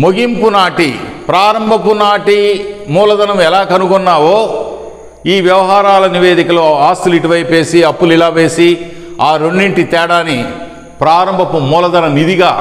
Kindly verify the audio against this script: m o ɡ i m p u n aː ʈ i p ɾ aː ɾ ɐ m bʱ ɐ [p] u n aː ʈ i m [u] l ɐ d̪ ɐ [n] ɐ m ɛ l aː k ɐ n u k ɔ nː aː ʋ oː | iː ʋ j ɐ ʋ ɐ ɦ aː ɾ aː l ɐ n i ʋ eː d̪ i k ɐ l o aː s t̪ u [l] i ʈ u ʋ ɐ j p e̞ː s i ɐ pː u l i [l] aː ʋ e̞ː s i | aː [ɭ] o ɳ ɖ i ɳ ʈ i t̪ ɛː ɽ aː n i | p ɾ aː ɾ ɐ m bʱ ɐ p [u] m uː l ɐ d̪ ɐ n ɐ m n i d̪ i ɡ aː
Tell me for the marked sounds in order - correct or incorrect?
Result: correct, incorrect: uː, correct, correct, correct, incorrect: ɾ, correct

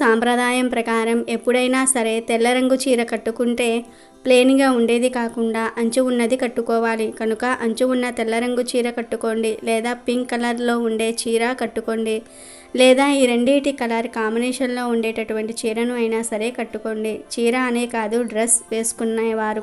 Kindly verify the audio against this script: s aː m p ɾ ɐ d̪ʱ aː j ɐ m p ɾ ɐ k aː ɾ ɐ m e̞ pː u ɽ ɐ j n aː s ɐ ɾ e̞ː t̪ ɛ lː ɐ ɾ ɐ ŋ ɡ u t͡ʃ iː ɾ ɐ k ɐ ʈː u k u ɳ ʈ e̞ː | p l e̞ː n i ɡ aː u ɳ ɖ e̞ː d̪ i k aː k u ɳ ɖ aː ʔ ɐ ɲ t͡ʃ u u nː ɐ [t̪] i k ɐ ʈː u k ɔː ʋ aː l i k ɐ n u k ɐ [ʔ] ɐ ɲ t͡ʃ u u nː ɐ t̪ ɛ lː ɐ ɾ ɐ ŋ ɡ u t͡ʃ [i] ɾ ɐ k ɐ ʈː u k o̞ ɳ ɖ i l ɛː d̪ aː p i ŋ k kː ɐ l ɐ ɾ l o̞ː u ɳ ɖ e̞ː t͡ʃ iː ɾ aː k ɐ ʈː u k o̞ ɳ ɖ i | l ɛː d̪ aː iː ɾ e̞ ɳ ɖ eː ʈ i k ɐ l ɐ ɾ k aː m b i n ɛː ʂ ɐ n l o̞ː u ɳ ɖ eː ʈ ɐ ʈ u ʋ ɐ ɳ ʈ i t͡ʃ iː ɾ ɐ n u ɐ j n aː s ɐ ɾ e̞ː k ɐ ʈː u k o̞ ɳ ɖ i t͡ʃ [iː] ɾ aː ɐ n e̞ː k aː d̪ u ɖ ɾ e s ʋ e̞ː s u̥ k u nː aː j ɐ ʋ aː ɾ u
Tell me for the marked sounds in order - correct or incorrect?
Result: incorrect: d̪, correct, incorrect: iː, correct

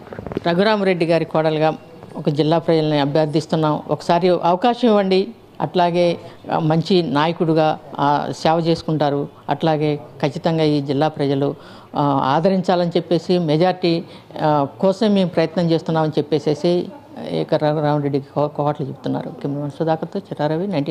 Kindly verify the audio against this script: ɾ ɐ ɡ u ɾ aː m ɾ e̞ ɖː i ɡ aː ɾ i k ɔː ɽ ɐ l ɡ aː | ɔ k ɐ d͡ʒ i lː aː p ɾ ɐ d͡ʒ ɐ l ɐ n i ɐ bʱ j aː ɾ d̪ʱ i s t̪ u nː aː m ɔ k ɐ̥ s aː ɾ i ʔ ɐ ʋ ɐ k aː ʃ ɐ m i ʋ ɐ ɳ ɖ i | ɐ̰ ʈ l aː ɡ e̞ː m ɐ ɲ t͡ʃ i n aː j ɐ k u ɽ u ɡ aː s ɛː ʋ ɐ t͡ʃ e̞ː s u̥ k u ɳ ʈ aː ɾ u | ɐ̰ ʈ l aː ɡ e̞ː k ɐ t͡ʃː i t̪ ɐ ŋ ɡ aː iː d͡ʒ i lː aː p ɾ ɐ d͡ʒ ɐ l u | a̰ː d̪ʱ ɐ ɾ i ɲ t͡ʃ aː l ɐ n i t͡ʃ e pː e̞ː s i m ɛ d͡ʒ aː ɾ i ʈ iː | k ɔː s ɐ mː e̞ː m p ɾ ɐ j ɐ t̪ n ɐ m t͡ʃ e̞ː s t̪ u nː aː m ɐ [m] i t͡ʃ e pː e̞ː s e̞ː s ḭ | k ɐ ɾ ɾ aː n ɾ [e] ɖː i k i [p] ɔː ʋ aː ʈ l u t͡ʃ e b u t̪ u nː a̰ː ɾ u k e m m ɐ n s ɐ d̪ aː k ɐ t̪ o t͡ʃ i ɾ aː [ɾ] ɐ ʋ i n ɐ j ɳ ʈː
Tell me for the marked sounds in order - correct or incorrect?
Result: incorrect: n, correct, incorrect: k, correct

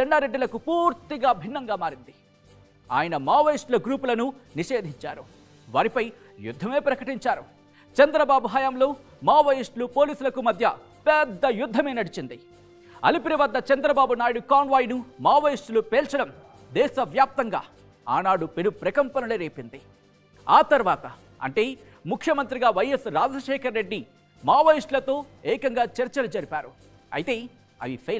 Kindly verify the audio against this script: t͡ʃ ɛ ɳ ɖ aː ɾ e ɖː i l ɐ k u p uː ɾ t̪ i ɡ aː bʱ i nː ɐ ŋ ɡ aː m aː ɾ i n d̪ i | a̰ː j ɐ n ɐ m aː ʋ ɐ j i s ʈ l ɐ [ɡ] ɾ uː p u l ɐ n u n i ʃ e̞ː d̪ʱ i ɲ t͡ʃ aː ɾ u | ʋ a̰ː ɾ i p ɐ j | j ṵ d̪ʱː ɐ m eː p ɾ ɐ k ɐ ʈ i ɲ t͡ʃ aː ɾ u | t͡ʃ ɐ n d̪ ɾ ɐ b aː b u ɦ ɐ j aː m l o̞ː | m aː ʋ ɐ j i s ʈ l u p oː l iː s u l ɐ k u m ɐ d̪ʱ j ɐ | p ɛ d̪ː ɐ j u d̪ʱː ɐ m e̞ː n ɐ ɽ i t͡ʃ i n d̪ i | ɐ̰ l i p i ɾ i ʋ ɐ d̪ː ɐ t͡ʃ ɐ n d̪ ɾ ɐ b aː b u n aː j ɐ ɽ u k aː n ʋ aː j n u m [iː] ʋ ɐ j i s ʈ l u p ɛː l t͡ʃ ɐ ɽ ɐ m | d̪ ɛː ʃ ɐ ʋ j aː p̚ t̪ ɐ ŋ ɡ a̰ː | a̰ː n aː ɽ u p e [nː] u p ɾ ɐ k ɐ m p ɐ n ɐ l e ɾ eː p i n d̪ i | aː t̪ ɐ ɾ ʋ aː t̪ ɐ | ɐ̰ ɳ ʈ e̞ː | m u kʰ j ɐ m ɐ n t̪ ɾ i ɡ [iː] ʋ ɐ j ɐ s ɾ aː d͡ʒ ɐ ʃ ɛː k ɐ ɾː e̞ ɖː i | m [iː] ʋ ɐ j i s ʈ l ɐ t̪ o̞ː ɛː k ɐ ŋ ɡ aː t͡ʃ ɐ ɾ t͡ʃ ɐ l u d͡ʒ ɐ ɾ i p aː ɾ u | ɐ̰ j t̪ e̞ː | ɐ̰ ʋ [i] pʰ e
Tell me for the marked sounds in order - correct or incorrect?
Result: correct, incorrect: aː, incorrect: n, incorrect: aː, incorrect: aː, correct

